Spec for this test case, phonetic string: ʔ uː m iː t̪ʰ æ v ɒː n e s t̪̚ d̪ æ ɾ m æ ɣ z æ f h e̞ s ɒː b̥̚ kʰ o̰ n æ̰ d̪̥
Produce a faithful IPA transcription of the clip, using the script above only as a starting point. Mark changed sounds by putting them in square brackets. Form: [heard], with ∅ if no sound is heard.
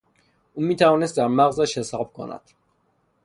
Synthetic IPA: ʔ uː m iː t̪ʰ æ v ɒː n e s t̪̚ d̪ æ ɾ m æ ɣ z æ [ʃ] h e̞ s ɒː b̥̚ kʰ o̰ n æ̰ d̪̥

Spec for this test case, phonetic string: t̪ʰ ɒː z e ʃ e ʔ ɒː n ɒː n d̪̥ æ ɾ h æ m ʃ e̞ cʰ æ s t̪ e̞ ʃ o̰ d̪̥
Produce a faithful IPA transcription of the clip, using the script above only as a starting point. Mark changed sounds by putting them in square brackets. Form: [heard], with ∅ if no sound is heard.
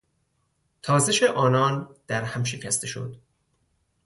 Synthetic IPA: t̪ʰ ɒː z e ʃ e ʔ ɒː n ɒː n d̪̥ æ ɾ h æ m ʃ e̞ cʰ æ s t̪ e̞ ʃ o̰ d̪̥

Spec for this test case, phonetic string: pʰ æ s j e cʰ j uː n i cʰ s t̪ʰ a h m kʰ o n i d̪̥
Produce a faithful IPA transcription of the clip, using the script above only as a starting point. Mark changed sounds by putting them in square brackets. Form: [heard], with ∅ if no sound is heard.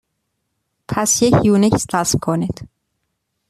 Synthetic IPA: pʰ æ s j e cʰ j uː n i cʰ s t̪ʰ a [s] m kʰ o n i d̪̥

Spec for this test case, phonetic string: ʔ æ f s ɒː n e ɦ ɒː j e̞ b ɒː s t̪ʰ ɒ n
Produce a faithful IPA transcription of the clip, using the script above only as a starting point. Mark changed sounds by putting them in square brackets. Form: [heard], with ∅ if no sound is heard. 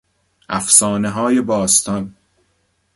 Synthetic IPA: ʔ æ f s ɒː n e ɦ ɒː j e̞ b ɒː s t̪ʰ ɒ n

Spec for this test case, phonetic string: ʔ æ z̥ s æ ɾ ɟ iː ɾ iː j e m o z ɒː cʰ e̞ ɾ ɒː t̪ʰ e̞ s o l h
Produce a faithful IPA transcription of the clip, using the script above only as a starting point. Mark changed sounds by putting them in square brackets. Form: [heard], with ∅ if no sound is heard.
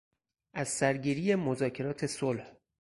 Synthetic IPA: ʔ æ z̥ s æ ɾ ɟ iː ɾ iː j e m o z ɒː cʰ e̞ ɾ ɒː t̪ʰ e̞ s o l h

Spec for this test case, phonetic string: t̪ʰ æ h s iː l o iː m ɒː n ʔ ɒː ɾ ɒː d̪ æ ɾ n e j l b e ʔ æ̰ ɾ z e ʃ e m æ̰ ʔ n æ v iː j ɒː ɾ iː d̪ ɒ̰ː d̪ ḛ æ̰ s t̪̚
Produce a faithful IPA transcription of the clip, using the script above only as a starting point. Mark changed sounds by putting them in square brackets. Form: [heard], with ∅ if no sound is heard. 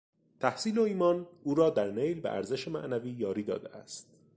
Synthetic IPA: t̪ʰ æ h s iː l o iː m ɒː n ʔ [uː] ɾ ɒː d̪ æ ɾ n e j l b e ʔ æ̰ ɾ z e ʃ e m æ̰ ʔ n æ v iː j ɒː ɾ iː d̪ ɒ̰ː d̪ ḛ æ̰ s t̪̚

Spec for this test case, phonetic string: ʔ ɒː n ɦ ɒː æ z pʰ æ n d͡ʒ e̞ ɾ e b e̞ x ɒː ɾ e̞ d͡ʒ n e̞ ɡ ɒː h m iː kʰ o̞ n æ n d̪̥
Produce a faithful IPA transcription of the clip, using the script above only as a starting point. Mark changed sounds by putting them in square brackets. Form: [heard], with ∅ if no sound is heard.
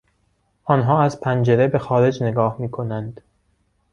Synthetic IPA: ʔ ɒː n ɦ ɒː æ z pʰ æ n d͡ʒ e̞ ɾ e b e̞ x ɒː ɾ e̞ d͡ʒ n e̞ ɡ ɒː h m iː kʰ o̞ n æ n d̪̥

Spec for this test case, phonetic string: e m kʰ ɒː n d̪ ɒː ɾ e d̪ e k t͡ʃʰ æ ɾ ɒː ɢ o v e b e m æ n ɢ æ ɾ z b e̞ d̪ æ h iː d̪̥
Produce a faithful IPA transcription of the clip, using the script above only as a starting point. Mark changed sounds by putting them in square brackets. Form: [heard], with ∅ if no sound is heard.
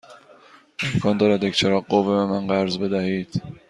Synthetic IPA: e m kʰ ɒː n d̪ ɒː ɾ [æ] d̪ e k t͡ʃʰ [e] ɾ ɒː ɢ o v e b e m æ n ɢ æ ɾ z b e̞ d̪ æ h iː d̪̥

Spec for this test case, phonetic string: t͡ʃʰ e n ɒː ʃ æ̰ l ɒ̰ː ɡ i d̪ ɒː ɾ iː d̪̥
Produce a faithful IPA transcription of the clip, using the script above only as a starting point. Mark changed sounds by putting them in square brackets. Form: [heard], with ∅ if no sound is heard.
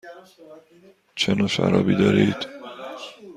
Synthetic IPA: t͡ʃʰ e n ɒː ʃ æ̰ [ɾ] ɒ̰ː [b] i d̪ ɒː ɾ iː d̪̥

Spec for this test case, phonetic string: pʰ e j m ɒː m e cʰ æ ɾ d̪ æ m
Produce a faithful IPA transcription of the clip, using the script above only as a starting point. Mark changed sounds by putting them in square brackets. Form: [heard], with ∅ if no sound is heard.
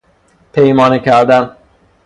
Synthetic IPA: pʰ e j m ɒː [n] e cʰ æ ɾ d̪ æ [n]

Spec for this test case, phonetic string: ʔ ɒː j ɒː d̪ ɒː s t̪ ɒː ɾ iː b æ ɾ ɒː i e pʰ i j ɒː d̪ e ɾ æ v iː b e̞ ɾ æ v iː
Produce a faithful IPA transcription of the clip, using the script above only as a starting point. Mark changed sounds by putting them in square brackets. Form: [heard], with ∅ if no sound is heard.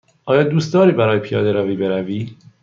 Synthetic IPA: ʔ ɒː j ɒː d̪ [uː] s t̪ ɒː ɾ iː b æ ɾ ɒː [j] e pʰ i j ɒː d̪ e ɾ æ v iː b e̞ ɾ æ v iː

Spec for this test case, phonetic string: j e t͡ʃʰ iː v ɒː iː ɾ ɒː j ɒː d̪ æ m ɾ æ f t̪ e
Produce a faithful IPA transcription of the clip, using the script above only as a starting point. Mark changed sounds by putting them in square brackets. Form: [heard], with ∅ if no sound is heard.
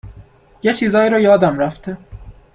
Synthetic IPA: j e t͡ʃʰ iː [z] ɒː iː ɾ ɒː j ɒː d̪ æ m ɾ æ f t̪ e

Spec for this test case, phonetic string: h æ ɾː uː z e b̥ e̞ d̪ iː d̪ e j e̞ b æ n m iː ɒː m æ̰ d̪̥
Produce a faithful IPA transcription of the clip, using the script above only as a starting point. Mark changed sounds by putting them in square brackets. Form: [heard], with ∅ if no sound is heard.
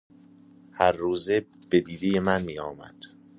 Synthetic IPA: h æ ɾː uː z e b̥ e̞ d̪ iː d̪ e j e̞ [m] æ n m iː ɒː m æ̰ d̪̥

